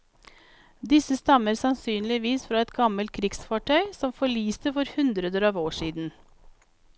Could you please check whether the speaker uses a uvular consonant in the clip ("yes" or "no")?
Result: no